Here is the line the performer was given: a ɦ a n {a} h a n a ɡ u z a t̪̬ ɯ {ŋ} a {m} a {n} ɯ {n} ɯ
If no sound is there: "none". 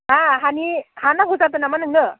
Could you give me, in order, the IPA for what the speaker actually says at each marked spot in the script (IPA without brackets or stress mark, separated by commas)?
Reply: i, n, m, n, ŋ